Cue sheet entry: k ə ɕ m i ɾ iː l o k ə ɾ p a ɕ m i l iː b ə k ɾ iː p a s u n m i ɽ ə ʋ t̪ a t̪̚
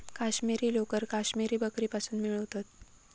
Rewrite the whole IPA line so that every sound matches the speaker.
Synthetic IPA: k a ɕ m i ɾ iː l o k ə ɾ k a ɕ m i ɾ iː b ə k ɾ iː p a s uː n m i ɭ ə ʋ t̪ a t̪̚

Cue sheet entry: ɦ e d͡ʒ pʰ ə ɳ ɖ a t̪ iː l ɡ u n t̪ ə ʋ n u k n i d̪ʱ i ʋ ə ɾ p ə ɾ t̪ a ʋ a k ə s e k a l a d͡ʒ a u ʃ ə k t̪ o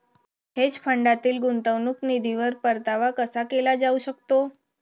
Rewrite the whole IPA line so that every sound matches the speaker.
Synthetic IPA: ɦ e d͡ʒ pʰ ə ɳ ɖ a t̪ iː l ɡ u n t̪ ə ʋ n u k n i d̪ʱ i ʋ ə ɾ p ə ɾ t̪ a ʋ a k ə s a k e l a d͡ʒ a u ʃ ə k t̪ o

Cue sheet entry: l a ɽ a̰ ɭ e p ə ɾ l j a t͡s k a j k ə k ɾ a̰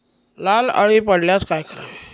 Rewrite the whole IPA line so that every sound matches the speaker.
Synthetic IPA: l a l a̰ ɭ i p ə ɽ l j a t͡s k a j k ə ɾ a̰

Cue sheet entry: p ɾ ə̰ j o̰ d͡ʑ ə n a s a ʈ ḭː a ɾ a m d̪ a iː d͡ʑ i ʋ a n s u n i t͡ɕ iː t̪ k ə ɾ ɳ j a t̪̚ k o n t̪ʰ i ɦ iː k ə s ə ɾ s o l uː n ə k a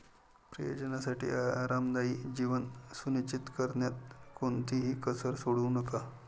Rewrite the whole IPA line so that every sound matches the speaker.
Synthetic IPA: p ɾ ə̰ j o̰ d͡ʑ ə n a s a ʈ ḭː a ɾ a m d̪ a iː d͡ʑ i ʋ ə n s u n i t͡ɕ i t̪ k ə ɾ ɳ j a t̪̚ k o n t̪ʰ i ɦ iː k ə s ə ɾ s o ɽ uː n ə k a

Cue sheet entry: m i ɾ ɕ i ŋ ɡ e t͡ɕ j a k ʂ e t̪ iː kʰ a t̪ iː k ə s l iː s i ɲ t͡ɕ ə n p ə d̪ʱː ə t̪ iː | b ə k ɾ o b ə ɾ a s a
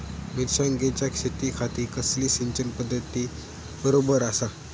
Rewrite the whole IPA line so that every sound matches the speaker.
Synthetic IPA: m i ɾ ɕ a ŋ ɡ e t͡ɕ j a k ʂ e t̪ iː kʰ a t̪ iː k ə s l iː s i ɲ t͡ɕ ə n p ə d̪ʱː ə t̪ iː | b ə ɾ o b ə ɾ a s a

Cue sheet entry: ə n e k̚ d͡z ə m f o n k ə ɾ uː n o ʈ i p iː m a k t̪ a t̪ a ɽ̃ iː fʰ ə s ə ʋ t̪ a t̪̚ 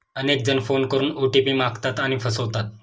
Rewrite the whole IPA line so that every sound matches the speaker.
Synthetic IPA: ə n e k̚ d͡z ə n f o n k ə ɾ uː n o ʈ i p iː m a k t̪ a t̪ a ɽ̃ i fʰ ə s ə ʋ t̪ a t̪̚

